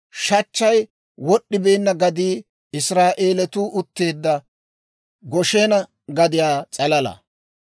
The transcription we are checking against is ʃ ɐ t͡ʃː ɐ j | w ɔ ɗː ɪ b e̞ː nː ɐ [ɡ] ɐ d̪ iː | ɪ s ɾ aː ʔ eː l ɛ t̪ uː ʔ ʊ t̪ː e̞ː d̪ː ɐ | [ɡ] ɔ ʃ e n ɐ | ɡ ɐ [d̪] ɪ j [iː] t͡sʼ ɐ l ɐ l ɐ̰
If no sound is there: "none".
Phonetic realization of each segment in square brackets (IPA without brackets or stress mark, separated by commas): ɡ, ɡ, d̪, aː